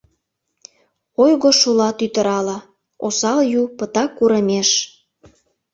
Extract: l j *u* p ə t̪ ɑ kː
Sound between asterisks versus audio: correct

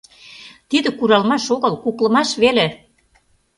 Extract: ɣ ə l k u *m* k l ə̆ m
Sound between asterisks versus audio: incorrect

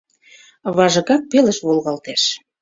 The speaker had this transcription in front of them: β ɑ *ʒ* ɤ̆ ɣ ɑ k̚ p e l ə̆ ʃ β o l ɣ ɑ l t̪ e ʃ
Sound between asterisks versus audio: correct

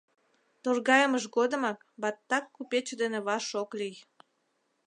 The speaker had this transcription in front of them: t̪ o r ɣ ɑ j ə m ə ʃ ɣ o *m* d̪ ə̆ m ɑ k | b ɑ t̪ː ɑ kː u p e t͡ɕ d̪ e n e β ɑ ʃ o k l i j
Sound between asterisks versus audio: incorrect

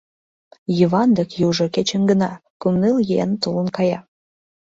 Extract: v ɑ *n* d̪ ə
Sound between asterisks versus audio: correct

